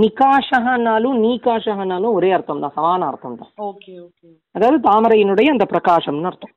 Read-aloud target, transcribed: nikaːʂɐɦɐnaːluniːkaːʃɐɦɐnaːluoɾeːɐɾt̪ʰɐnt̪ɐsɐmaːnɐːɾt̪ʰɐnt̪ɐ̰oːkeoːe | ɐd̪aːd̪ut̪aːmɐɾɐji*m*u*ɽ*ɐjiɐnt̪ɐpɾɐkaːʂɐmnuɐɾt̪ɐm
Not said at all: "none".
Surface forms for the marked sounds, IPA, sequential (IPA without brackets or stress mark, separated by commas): n, ɽ